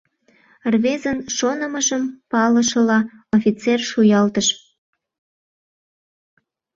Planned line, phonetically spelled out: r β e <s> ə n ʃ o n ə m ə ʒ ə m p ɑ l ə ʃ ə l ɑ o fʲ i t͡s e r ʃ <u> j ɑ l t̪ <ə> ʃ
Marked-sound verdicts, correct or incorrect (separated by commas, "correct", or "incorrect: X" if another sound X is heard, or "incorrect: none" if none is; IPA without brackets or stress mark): incorrect: z, correct, correct